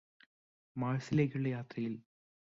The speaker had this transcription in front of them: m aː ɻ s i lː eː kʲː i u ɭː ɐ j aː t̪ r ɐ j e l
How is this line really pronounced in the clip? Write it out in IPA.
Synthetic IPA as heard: m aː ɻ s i l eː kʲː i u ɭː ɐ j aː t̪ r ɐ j i l